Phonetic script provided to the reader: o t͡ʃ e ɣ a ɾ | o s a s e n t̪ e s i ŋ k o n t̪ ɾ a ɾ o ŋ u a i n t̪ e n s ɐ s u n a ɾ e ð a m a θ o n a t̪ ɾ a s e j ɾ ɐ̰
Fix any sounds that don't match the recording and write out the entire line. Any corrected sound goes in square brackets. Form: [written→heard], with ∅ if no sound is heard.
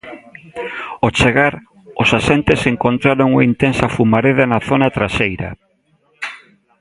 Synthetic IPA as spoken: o t͡ʃ e ɣ a ɾ | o s a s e n t̪ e s [i→e] ŋ k o n t̪ ɾ a ɾ o ŋ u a i n t̪ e n s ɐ [s→f] u [n→m] a ɾ e ð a [m→n] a θ o n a t̪ ɾ a s e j ɾ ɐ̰